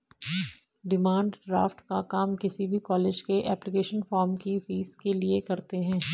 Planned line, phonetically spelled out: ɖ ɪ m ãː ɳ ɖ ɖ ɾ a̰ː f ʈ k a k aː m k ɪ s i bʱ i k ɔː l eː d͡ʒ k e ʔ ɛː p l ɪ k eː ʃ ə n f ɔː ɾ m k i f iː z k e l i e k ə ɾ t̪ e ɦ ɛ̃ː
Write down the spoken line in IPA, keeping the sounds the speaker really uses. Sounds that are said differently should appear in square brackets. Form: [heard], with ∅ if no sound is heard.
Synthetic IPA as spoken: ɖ ɪ m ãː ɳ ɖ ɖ ɾ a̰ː f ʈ k a k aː m k ɪ s i bʱ i k ɔː l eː d͡ʒ k e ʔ ɛː p l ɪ k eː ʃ ə n f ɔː ɾ m k i f iː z k e l i e k [ɐ] ɾ t̪ e ɦ ɛ̃ː